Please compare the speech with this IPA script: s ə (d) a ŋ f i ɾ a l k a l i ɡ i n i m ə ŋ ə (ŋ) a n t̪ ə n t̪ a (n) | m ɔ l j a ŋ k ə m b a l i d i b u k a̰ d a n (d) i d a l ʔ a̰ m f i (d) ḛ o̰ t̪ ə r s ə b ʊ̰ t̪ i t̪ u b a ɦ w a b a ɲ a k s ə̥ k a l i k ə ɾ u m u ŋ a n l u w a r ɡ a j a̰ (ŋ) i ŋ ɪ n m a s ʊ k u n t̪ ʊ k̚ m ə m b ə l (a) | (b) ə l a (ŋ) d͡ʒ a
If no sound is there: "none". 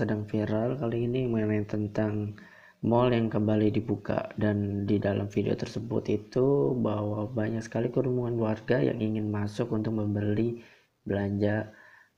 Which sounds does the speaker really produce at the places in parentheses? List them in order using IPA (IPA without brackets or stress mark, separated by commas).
d, n, ŋ, d, d, ŋ, i, b, ɲ